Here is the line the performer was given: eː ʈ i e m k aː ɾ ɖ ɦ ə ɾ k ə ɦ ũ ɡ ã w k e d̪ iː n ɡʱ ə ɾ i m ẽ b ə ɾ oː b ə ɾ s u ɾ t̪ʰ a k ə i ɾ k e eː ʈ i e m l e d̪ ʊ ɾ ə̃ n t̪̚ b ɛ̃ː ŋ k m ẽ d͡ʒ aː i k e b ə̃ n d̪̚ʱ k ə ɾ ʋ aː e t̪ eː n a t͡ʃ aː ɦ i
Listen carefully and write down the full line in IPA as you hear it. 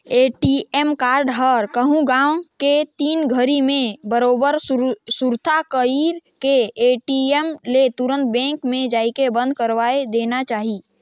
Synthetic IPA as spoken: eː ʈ i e m k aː ɾ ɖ ɦ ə ɾ k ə ɦ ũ ɡ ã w k e t̪ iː n ɡʱ ə ɾ i m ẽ b ə ɾ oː b ə ɾ s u ɾ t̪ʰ a k ə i ɾ k e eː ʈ i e m l e t̪ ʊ ɾ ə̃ n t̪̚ b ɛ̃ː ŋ k m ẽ d͡ʒ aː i k e b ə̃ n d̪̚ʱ k ə ɾ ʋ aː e d̪ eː n a t͡ʃ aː ɦ i